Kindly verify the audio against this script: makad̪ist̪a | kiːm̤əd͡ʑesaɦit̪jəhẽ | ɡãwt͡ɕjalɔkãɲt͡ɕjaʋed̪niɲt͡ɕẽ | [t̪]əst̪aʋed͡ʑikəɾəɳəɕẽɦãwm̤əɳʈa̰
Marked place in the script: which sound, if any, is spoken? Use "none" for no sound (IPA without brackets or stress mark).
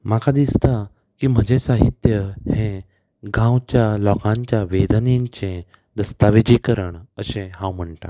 d̪